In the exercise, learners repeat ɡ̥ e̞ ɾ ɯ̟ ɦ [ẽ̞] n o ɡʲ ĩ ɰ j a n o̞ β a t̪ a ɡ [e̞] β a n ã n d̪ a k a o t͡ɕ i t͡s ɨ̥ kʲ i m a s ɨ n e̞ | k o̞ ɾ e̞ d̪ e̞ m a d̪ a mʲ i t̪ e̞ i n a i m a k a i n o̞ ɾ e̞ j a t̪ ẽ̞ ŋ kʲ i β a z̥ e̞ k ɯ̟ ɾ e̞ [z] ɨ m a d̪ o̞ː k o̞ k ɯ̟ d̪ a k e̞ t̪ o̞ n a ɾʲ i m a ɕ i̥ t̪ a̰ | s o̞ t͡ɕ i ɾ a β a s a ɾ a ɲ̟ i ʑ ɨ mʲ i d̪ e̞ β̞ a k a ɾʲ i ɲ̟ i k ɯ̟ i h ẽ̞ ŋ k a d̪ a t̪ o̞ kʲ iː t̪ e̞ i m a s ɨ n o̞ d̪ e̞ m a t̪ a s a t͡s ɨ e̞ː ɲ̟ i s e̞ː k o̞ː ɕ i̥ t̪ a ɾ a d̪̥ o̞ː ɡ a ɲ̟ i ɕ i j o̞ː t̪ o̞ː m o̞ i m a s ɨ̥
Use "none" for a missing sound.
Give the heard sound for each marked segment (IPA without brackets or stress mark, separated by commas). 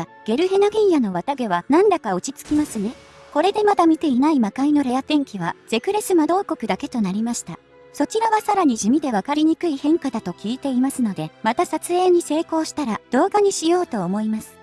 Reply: e̞, e̞, s